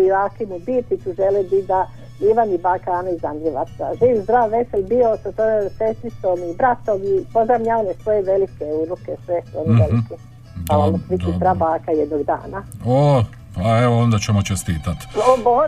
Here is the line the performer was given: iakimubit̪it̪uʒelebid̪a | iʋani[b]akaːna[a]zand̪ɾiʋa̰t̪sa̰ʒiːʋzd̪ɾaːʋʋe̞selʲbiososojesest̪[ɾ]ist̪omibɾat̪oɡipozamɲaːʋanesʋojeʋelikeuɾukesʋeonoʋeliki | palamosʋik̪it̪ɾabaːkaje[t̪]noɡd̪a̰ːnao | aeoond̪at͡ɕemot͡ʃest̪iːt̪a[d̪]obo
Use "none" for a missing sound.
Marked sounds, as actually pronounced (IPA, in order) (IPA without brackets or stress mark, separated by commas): b, i, ɾ, d̪, t̪